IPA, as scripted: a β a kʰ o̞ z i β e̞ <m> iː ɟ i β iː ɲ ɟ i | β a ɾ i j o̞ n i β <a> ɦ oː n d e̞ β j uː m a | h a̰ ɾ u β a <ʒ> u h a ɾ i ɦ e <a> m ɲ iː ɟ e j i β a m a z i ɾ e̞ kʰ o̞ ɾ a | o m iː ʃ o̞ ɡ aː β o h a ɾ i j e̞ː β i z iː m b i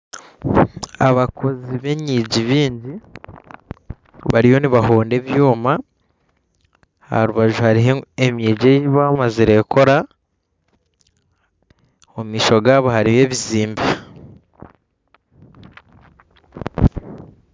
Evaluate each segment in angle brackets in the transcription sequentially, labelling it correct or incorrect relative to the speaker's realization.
incorrect: ɲ, correct, correct, incorrect: e

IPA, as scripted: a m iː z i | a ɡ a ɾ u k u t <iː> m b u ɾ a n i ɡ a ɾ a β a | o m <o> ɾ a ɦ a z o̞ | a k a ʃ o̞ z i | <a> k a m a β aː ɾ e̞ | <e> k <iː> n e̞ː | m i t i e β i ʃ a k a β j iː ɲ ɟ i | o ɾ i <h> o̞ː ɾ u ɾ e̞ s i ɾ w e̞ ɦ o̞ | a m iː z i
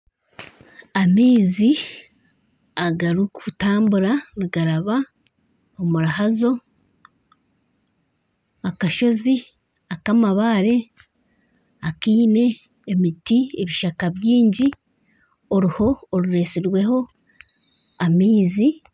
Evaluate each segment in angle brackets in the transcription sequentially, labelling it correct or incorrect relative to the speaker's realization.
incorrect: aː, incorrect: u, correct, incorrect: a, correct, correct

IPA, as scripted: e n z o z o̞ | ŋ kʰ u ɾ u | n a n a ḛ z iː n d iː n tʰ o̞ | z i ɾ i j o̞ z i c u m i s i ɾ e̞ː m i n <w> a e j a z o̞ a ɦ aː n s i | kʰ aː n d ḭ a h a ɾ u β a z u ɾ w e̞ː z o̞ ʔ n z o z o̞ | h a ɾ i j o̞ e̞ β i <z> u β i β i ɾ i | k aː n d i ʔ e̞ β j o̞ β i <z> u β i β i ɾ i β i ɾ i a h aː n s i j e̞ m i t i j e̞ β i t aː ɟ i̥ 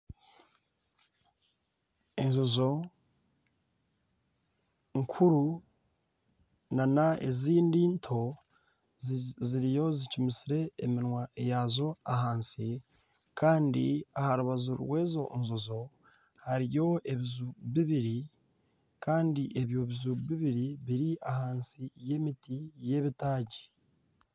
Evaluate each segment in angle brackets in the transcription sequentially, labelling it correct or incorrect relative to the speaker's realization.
correct, correct, correct

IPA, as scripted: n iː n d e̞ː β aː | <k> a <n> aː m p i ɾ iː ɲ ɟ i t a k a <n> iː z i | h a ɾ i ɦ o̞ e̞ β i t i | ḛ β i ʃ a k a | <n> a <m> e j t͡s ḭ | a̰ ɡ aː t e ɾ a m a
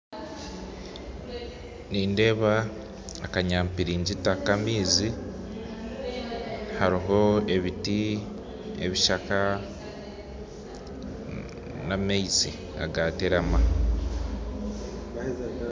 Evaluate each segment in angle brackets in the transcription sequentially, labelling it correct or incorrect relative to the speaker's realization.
correct, incorrect: ɲ, incorrect: m, correct, correct

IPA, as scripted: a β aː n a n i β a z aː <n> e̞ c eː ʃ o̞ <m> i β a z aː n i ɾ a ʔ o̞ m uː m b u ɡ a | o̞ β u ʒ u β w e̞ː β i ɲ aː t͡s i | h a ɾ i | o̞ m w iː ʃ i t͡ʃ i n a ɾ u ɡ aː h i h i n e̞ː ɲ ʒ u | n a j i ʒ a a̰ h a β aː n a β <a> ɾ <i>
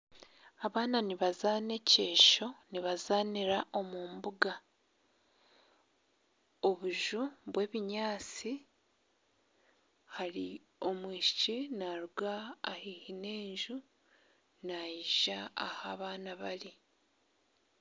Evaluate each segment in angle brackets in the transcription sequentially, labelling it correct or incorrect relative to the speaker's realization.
correct, incorrect: n, correct, correct

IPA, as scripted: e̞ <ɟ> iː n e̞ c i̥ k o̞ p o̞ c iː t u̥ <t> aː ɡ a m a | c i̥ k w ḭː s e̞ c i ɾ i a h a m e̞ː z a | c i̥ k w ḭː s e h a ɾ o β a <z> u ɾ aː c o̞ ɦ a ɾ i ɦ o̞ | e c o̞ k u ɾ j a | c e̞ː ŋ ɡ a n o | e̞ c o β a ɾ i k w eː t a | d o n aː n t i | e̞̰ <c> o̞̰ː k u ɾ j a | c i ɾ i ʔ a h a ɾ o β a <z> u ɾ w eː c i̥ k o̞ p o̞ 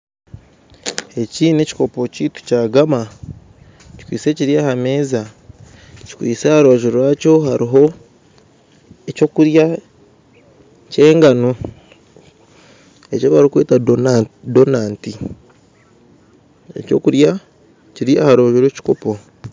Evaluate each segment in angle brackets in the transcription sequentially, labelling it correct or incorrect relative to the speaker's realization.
incorrect: c, incorrect: c, incorrect: ʒ, correct, incorrect: ʒ

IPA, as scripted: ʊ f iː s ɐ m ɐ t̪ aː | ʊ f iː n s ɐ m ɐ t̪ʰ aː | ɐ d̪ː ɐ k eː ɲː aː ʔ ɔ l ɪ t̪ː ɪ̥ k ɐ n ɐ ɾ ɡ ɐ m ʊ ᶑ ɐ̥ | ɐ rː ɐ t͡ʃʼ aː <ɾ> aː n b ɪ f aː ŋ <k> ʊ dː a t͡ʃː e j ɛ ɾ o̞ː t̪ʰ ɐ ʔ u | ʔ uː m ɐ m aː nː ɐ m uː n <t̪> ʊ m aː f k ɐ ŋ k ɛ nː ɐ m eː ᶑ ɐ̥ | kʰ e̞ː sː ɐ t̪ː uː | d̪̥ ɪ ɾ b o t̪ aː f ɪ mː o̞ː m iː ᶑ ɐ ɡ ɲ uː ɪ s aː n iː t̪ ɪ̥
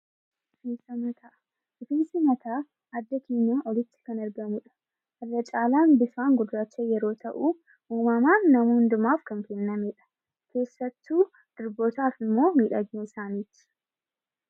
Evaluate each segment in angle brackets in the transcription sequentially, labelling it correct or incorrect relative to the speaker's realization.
incorrect: l, incorrect: ɡ, incorrect: d̪

